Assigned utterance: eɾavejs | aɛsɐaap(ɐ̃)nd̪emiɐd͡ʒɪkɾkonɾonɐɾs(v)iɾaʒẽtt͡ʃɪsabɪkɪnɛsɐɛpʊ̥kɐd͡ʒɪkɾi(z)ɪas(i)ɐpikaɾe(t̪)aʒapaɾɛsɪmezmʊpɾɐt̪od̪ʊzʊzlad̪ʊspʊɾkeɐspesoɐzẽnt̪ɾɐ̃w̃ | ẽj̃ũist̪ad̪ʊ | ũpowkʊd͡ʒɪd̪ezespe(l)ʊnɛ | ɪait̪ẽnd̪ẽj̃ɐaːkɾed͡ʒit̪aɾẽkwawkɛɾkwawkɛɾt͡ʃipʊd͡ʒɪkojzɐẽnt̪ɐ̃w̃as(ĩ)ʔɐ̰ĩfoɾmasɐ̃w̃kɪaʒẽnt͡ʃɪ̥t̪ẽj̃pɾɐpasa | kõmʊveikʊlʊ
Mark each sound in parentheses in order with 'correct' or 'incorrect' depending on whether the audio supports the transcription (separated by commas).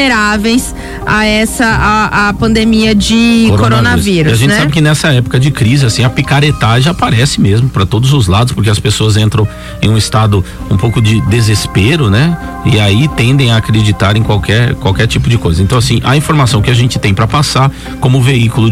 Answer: correct, correct, correct, incorrect, correct, incorrect, correct